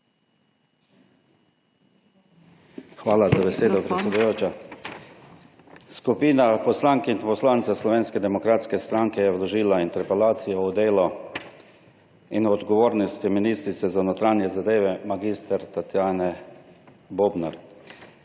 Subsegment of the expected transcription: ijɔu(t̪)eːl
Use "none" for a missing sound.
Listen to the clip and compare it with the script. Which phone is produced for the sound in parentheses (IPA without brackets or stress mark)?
d̪